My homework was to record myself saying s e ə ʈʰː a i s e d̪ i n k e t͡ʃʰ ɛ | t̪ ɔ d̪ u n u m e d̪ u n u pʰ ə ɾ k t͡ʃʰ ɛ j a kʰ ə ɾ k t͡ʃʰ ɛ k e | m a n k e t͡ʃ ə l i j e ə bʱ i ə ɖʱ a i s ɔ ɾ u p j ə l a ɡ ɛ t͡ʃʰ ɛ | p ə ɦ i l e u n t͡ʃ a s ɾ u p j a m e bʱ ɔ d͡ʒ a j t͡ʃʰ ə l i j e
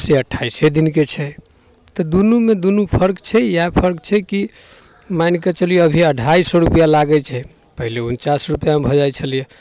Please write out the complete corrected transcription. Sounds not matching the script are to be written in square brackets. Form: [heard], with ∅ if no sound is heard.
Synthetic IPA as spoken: s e ə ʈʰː a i s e d̪ i n k e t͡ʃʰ ɛ | t̪ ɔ d̪ u n u m e d̪ u n u pʰ ə ɾ k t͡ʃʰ ɛ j a [pʰ] ə ɾ k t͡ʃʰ ɛ k [i] | m a n k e t͡ʃ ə l i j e ə bʱ i ə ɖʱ a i s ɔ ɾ u p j [a] l a ɡ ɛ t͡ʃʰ ɛ | p ə ɦ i l e u n t͡ʃ a s ɾ u p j a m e bʱ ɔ d͡ʒ a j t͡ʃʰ ə l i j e